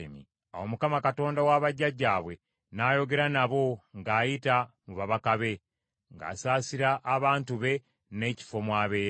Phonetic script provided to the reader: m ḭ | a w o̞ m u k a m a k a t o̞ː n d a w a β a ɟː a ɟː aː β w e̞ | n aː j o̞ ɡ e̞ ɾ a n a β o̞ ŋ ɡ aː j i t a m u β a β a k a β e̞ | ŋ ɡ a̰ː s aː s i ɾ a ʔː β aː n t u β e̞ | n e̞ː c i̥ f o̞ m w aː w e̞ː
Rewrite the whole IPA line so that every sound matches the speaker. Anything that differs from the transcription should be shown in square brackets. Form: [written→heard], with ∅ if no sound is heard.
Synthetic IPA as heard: m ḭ | a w o̞ m u k a m a k a t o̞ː n d a w a β a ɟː a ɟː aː β w e̞ | n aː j o̞ ɡ e̞ ɾ a n a β o̞ ŋ ɡ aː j i t a m u β a β a k a β e̞ | ŋ ɡ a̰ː s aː s i ɾ a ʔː β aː n t u β e̞ | n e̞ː c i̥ f o̞ m w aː [w→β] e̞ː